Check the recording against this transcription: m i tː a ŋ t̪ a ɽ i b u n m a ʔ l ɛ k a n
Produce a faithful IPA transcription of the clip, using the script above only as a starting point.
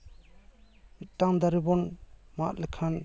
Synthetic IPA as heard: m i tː a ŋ d̪ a ɾ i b ɔ n m a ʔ l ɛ kʰ a n